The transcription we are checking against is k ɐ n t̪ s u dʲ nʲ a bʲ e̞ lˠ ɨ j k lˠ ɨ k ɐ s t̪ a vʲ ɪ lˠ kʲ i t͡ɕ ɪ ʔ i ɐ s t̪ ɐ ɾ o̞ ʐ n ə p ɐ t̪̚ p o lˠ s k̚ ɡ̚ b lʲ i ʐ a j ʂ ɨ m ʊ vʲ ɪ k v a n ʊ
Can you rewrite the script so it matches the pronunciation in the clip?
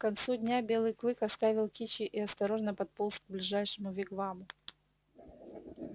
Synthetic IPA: k ɐ n t̪ s u dʲ nʲ a bʲ e̞ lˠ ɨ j k lˠ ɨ k ɐ s t̪ a vʲ ɪ lˠ kʲ i t͡ɕ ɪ ʔ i ɐ s t̪ ɐ ɾ o̞ ʐ n ə p ɐ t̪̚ p o lˠ s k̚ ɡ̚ b lʲ ɪ ʐ a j ʂ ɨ m ʊ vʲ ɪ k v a m ʊ